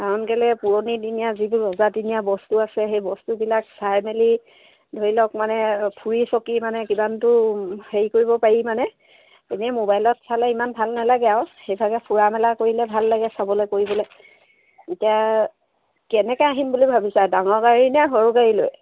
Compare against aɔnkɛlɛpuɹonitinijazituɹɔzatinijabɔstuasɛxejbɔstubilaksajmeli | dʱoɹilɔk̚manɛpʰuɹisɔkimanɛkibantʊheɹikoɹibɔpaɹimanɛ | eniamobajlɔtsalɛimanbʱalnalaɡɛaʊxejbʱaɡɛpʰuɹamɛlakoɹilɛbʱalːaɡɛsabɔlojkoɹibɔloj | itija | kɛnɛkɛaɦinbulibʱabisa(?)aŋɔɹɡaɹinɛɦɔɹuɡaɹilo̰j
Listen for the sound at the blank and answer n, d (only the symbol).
d